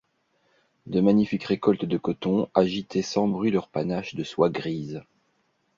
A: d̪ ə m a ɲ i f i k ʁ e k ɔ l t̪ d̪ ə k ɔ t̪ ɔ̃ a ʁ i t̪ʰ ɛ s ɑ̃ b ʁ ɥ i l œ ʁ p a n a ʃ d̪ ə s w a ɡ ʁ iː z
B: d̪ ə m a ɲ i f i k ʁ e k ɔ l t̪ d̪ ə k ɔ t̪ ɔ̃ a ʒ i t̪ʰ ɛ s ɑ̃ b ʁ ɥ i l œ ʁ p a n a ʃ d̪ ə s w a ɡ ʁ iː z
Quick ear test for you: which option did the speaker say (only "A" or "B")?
B